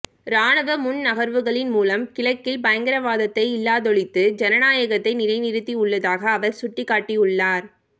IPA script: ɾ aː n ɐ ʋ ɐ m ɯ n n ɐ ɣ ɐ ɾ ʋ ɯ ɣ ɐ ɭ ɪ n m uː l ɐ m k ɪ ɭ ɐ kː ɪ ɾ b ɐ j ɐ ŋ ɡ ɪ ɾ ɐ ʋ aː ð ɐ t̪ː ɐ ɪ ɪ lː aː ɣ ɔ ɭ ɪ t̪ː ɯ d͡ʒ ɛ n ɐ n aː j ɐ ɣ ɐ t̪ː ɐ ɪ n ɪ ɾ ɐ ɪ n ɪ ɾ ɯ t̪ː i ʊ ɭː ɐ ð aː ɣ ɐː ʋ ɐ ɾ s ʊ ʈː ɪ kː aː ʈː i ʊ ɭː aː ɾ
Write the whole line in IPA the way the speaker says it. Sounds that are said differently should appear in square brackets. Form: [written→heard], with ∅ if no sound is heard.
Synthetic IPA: ɾ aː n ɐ ʋ ɐ m [ɯ→ʊ] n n ɐ ɣ ɐ ɾ ʋ ɯ ɣ ɐ ɭ ɪ n m uː l ɐ m k ɪ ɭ ɐ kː ɪ [ɾ→l] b ɐ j ɐ ŋ ɡ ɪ ɾ ɐ ʋ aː ð ɐ t̪ː ɐ ɪ ɪ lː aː [ɣ→ð] ɔ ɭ ɪ t̪ː ɯ d͡ʒ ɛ n ɐ n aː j ɐ ɣ ɐ t̪ː ɐ ɪ n ɪ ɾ ɐ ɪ n ɪ ɾ ɯ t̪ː i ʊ ɭː ɐ ð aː ɣ ɐː ʋ ɐ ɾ s ʊ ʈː ɪ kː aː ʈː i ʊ ɭː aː ɾ

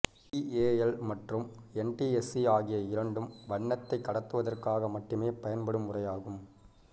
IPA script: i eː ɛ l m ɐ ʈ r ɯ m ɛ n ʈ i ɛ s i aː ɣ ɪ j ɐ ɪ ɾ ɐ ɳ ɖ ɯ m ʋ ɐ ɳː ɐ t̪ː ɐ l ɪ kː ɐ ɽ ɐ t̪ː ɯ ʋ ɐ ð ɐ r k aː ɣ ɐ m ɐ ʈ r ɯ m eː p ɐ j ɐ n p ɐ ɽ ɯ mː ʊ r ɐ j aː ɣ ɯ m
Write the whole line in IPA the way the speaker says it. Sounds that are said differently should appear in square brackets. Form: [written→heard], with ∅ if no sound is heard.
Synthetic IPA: i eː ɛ l m ɐ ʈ r ɯ m ɛ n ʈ i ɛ s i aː ɣ ɪ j ɐ ɪ ɾ ɐ ɳ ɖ ɯ m ʋ ɐ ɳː ɐ t̪ː ɐ [l→∅] ɪ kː ɐ ɽ ɐ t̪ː ɯ ʋ ɐ ð ɐ r k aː ɣ ɐ m ɐ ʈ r ɯ m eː p ɐ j ɐ n p ɐ ɽ ɯ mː ʊ r ɐ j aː ɣ ɯ m

